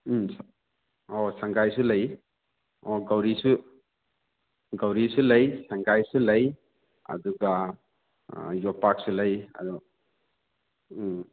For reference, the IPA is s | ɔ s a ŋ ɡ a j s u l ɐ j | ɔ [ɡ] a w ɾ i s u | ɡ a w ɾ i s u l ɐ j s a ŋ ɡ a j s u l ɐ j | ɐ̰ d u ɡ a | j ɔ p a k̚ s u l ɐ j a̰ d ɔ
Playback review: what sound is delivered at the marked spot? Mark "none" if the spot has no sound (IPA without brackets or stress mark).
ɡ